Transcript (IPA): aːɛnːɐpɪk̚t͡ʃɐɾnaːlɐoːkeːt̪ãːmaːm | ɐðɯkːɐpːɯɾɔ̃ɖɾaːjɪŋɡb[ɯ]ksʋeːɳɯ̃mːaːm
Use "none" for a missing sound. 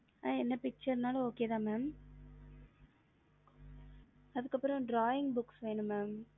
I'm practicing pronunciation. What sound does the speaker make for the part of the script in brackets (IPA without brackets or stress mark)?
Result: ʊ